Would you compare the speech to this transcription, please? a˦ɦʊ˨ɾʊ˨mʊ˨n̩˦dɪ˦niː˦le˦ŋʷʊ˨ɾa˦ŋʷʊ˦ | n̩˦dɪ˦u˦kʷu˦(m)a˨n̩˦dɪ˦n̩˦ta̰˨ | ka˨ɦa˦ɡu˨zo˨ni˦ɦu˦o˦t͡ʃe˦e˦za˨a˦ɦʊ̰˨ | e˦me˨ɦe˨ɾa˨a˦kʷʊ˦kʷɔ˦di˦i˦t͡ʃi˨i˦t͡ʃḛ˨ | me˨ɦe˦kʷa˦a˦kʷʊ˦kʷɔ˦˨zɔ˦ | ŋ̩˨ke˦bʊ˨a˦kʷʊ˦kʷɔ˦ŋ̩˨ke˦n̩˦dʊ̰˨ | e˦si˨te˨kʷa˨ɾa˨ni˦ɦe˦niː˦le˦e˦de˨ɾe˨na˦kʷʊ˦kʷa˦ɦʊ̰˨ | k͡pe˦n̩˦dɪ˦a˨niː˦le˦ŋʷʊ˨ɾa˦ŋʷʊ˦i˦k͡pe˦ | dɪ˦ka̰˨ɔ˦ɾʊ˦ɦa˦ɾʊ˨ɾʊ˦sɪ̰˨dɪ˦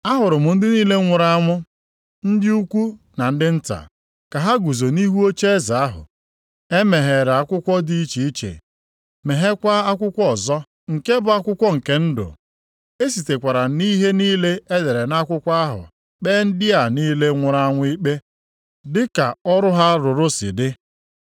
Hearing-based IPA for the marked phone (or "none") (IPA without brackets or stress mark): n